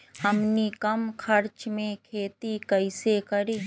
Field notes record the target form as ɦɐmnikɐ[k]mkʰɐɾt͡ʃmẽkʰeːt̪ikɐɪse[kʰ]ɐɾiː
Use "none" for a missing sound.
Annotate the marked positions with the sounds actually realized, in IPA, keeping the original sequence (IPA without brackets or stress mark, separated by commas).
none, k